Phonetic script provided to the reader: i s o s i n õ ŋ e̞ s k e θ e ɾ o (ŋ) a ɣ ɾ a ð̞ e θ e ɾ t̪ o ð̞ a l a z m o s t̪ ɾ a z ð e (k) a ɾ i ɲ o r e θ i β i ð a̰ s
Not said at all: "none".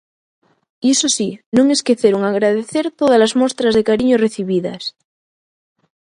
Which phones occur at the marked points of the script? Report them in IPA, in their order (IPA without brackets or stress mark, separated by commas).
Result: ŋ, k